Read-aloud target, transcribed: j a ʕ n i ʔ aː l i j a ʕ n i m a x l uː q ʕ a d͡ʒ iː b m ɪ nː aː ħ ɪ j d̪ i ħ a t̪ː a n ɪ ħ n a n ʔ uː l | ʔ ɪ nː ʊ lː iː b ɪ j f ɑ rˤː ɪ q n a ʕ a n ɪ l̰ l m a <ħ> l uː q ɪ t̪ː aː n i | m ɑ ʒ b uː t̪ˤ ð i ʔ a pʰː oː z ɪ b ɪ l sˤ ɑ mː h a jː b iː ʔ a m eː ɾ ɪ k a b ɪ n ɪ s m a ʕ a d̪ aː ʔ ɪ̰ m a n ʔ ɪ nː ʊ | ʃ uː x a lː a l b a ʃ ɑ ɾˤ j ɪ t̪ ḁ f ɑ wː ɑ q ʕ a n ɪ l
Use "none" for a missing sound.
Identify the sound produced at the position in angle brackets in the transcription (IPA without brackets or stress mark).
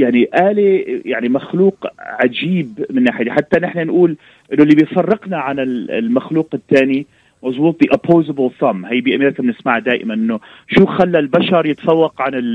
x